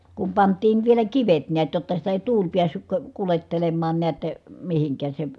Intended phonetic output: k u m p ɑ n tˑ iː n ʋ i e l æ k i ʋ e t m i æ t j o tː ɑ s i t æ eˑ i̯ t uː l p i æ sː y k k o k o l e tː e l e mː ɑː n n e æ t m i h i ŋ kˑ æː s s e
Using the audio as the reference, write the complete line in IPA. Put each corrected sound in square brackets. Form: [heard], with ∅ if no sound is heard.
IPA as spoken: k u m p ɑ n tˑ iː n ʋ i e l æ k i ʋ e t [n] i æ t j o tː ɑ s i t æ eˑ i̯ t uː l p i æ sː y k k o k [u] l e tː e l e mː ɑː n n e æ t m i h i ŋ kˑ æː s s e